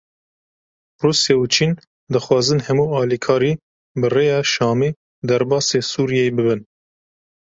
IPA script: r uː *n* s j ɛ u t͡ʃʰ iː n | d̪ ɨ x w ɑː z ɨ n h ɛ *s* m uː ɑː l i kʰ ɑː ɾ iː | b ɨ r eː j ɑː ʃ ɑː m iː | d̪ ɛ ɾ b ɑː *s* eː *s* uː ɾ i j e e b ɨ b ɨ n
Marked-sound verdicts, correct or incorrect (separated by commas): incorrect, incorrect, correct, correct